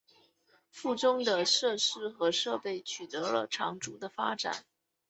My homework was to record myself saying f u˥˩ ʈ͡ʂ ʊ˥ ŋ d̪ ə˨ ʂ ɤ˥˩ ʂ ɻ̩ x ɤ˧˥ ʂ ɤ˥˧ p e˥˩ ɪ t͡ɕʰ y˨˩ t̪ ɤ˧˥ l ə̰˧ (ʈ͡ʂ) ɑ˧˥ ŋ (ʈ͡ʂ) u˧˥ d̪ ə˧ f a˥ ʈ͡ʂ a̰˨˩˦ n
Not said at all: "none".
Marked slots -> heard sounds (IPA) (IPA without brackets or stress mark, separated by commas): ʈ͡ʂʰ, ʈ͡ʂ